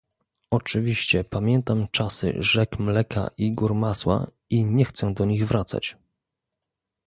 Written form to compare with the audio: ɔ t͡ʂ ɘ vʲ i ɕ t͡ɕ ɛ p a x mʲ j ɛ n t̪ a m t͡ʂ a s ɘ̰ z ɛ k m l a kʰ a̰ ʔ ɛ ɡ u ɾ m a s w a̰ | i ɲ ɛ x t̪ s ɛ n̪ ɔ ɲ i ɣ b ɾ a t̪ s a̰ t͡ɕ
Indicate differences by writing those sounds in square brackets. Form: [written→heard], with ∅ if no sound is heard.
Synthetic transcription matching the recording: ɔ t͡ʂ ɘ vʲ i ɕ t͡ɕ ɛ p a [x→∅] mʲ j ɛ n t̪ a m t͡ʂ a s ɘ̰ [z→ʐ] ɛ k m l [a→ɛ] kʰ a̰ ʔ [ɛ→i] ɡ u ɾ m a s w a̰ | i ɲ ɛ x t̪ s ɛ [n̪→d̪] ɔ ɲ i ɣ [b→v] ɾ a t̪ s a̰ t͡ɕ

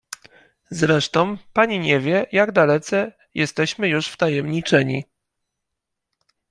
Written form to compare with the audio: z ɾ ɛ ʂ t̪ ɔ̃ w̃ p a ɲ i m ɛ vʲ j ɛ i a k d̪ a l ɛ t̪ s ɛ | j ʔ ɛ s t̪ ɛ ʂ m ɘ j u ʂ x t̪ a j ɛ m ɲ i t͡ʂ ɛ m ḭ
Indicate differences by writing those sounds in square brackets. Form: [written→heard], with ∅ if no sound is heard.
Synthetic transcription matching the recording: z ɾ ɛ ʂ t̪ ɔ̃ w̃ p a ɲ i [m→ɲ] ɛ vʲ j ɛ [i→j] a [k→ɡ] d̪ a l ɛ t̪ s ɛ | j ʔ ɛ s t̪ ɛ [ʂ→ɕ] m ɘ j u ʂ [x→f] t̪ a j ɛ m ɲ i t͡ʂ ɛ [m→ɲ] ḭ

